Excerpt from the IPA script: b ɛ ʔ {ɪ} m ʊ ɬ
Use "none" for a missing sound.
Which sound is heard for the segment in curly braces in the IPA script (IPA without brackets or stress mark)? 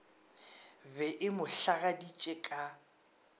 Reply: ɪ